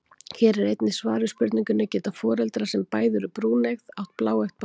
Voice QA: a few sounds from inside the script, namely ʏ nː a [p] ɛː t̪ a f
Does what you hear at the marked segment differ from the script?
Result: yes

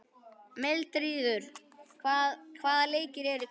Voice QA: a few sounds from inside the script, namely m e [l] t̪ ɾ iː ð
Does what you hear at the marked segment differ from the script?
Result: no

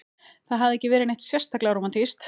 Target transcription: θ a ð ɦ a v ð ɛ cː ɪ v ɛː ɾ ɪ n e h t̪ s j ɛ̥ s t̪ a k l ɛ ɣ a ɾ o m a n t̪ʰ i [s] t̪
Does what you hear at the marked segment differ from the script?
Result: no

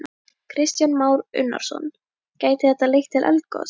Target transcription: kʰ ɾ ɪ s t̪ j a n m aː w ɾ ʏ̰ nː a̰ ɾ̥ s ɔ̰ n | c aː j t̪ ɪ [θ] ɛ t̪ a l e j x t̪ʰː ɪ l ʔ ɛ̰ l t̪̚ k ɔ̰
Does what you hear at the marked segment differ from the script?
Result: no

